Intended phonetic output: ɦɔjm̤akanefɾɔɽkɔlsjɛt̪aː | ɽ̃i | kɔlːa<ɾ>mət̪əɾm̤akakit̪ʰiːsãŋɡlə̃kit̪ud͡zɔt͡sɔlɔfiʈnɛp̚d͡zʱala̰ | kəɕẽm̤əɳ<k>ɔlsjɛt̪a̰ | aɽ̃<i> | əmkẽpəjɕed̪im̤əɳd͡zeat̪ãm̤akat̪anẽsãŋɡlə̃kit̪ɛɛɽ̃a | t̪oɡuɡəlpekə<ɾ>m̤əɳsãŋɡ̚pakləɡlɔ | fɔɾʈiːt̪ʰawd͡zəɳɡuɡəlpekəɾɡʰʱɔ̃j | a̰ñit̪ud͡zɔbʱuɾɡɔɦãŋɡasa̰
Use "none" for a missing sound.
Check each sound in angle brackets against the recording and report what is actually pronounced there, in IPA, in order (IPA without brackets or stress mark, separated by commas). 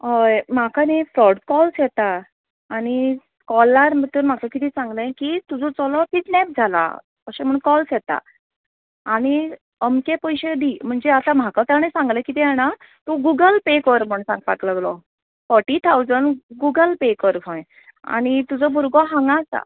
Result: ɾ, k, i, ɾ